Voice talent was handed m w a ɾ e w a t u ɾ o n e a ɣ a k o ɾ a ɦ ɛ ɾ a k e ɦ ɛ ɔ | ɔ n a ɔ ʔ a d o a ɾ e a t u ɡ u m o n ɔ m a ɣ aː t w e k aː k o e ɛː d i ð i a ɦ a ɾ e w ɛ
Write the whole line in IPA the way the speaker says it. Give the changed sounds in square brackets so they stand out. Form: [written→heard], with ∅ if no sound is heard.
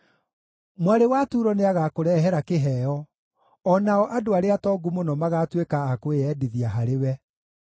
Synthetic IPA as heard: m w a ɾ e w a t u ɾ [o→ɔ] n e a ɣ a k o ɾ [a→ɛ] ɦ ɛ ɾ a k e ɦ ɛ ɔ | ɔ n a ɔ ʔ a d o a ɾ e a t [u→ɔ] ɡ u m o n ɔ m a ɣ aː t w e k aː k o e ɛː d i ð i a ɦ a ɾ e w ɛ